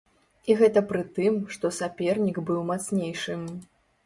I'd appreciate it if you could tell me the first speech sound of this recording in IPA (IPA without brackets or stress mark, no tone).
i